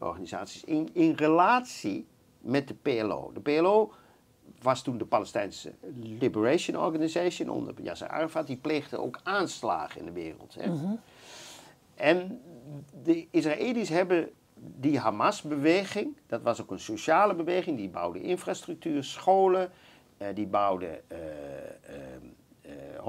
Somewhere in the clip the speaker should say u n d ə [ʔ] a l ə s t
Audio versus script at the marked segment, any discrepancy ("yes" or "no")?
yes